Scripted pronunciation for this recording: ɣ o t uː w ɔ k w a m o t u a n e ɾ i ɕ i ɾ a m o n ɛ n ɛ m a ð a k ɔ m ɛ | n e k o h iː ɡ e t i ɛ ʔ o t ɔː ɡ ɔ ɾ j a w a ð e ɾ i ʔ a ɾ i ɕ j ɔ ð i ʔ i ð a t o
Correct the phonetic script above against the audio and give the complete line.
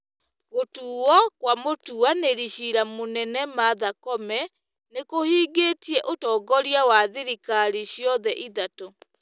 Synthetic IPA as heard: ɣ o t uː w ɔ k w a m o t u a n e ɾ i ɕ i ɾ a m o n ɛ n ɛ m a ð a k ɔ m ɛ | n e k o h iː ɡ e t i ɛ ʔ o t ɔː ɡ ɔ ɾ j a w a ð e ɾ i k a ɾ i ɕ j ɔ ð ɛ ʔ i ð a t o

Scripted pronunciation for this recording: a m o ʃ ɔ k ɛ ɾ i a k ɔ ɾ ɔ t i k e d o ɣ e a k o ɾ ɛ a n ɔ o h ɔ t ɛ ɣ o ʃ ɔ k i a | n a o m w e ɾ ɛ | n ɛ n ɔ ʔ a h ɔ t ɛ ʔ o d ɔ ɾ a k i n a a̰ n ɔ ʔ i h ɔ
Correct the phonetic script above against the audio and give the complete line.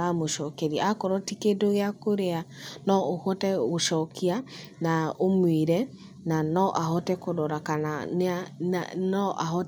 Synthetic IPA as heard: a m o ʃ ɔ k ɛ ɾ i a k ɔ ɾ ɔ t i k e d o ɣ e a k o ɾ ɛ a n ɔ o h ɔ t ɛ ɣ o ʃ ɔ k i a | n a o m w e ɾ ɛ | n a n ɔ ʔ a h ɔ t ɛ k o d ɔ ɾ a k a n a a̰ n ɔ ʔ a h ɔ

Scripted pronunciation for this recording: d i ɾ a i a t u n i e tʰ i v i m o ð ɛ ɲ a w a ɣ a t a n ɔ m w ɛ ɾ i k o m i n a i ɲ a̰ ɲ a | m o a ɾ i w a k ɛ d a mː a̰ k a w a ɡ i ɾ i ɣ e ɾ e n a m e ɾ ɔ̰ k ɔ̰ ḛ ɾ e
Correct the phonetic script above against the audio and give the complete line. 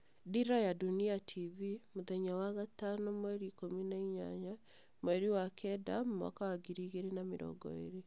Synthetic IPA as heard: d i ɾ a j a d u n i a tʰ i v i m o ð ɛ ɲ a w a ɣ a t a n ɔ m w ɛ ɾ i k o m i n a i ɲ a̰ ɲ a | m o ɛ ɾ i w a k ɛ d a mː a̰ k a w a ɡ i ɾ i ɣ e ɾ e n a m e ɾ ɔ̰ ɡ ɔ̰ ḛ ɾ e

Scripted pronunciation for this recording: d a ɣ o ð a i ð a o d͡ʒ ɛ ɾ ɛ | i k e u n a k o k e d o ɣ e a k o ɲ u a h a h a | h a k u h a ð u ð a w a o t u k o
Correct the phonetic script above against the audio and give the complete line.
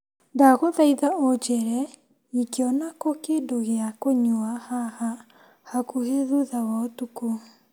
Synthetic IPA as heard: d a ɣ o ð a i ð a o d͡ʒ ɛ ɾ ɛ | i k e ɔ n a k o k e d o ɣ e a k o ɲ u a h a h a | h a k u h e ð u ð a w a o t u k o

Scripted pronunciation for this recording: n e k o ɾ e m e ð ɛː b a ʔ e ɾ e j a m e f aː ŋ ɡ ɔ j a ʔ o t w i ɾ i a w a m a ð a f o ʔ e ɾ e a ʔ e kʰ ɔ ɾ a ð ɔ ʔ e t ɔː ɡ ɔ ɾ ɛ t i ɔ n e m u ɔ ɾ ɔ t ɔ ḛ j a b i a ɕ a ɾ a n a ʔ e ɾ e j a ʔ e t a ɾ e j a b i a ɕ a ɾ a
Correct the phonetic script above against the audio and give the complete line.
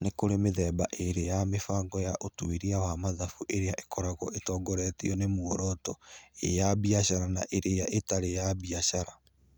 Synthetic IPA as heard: n e k o ɾ e m e ð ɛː b a ʔ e ɾ e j a m e f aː ŋ ɡ ɔ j a ʔ o t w i ɾ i a w a m a ð a f u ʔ e ɾ e a ʔ e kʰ ɔ ɾ a ɣ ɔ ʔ e t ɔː ɡ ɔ ɾ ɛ t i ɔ n e m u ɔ ɾ ɔ t ɔ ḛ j a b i a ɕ a ɾ a n a ʔ e ɾ e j a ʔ e t a ɾ e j a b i a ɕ a ɾ a

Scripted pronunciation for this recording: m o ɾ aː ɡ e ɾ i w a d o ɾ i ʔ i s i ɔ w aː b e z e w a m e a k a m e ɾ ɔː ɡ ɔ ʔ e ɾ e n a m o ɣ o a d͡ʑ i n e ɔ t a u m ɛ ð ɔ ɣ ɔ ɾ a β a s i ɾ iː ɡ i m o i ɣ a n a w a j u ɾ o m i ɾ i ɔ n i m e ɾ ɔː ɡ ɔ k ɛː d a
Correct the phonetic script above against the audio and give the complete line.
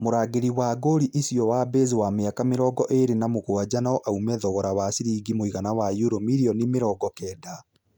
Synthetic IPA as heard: m o ɾ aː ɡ e ɾ i w a ɡ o ɾ i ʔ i s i ɔ w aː b e z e w a m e a k a m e ɾ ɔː ɡ ɔ ʔ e ɾ e n a m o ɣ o a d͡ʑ a n a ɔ ʔ a u m ɛ ð ɔ ɣ ɔ ɾ a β a s i ɾ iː ɡ i m o i ɣ a n a w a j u ɾ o m i ɾ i ɔ n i m e ɾ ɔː ɡ ɔ k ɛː d a

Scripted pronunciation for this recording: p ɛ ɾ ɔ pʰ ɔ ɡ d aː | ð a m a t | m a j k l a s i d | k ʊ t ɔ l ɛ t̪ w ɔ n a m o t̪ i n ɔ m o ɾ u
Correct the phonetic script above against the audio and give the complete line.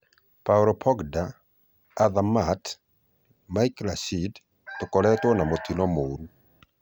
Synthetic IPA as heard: p a ɾ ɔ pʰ ɔ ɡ d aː | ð a m a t | m a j k l a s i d | t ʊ k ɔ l ɛ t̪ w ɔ n a m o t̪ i n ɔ m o ɾ u

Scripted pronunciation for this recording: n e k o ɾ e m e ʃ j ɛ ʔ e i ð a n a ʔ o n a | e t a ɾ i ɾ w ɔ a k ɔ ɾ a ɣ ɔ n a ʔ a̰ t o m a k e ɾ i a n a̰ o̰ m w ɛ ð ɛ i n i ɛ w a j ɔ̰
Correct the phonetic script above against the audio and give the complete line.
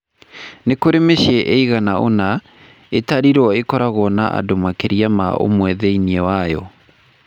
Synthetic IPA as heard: n e k o ɾ e m e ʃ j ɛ ʔ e i ɣ a n a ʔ o n a | e t a ɾ i ɾ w ɔ e k ɔ ɾ a ɣ ɔ n a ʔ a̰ d o m a k e ɾ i a m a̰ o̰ m w ɛ ð ɛ i n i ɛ w a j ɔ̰

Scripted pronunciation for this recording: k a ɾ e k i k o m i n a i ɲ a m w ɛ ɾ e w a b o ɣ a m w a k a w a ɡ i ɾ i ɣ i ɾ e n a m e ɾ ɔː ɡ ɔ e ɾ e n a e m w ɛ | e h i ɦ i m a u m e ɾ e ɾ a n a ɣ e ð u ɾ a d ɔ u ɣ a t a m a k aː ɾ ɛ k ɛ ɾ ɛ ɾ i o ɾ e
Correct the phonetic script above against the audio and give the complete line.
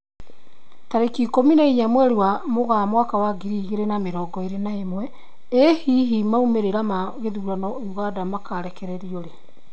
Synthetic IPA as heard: t a ɾ e k i k o m i n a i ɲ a m w ɛ ɾ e w a m o ɣ a m w a k a w a ɡ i ɾ i ɣ e ɾ e n a m e ɾ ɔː ɡ ɔ e ɾ e n a e m w ɛ | e h i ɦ i m a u m e ɾ e ɾ a m a ɣ e ð u ɾ a n ɔ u ɣ a d a m a k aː ɾ ɛ k ɛ ɾ ɛ ɾ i o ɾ e

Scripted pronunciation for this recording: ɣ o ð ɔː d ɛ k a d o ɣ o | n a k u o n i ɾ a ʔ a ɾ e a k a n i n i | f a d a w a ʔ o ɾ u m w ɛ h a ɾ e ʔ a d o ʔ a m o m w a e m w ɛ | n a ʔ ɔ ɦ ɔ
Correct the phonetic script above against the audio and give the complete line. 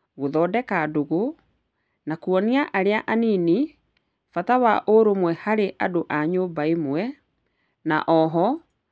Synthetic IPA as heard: ɣ o ð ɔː d ɛ k a d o ɣ o | n a k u ɔ n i a ʔ a ɾ e a ʔ a n i n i | f a t a w a ʔ o ɾ o m w ɛ h a ɾ e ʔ a d o ʔ a ɲ o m b a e m w ɛ | n a ʔ ɔ ɦ ɔ

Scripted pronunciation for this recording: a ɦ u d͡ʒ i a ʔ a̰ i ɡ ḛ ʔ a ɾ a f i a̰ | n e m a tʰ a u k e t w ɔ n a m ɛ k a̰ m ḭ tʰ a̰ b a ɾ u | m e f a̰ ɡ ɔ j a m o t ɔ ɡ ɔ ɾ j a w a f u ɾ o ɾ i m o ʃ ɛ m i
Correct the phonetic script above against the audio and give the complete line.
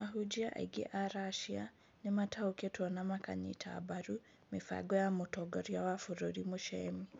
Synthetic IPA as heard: a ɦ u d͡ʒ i a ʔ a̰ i ɡ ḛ ʔ a ɾ a ʃ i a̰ | n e m a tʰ a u k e t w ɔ n a m a k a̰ ɲ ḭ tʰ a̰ b a ɾ u | m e f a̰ ɡ ɔ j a m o t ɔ ɡ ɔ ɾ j a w a f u ɾ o ɾ i m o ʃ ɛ m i

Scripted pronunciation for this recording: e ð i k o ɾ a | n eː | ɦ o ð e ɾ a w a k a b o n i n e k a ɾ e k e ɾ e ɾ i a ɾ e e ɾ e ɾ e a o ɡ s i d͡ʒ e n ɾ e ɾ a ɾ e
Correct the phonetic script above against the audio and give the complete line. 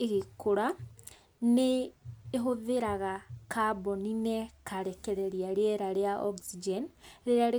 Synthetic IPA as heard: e ɣ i k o ɾ a | n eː | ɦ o ð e ɾ a ɣ a k a b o n i n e k a ɾ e k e ɾ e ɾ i a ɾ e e ɾ a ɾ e a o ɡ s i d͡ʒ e n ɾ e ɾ a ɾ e

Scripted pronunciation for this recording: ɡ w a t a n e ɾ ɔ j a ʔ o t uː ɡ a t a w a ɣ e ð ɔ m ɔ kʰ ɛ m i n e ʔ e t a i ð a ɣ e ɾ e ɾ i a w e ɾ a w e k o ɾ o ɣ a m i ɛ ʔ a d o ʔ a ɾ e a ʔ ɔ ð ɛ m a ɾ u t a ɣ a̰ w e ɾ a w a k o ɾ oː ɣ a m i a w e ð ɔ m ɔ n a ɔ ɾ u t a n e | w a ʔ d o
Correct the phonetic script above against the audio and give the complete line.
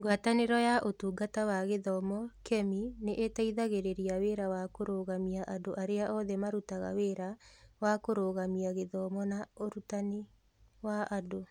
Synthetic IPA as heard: ɡ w a t a n e ɾ ɔ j a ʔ o t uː ɡ a t a w a ɣ e ð ɔ m ɔ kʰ ɛ m i n e ʔ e t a i ð a ɣ e ɾ e ɾ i a w e ɾ a w a k o ɾ o ɣ a m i a ʔ a d o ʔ a ɾ e a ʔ ɔ ð ɛ m a ɾ u t a ɣ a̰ w e ɾ a w a k o ɾ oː ɣ a m i a ɣ e ð ɔ m ɔ n a o ɾ u t a n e | w a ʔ d o

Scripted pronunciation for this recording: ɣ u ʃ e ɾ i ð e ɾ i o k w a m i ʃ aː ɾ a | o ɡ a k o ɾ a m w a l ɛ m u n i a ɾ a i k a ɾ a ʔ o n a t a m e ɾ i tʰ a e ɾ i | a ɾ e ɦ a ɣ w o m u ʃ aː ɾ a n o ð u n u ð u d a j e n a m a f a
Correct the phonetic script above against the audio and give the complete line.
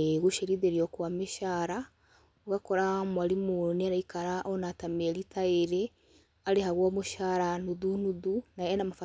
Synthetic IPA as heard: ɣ u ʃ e ɾ i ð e ɾ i o k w a m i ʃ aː ɾ a | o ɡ a k o ɾ a m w a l i m u n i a ɾ a i k a ɾ a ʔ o n a t a m e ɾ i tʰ a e ɾ e | a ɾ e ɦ a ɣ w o m u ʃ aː ɾ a n u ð u n u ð u n a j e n a m a f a

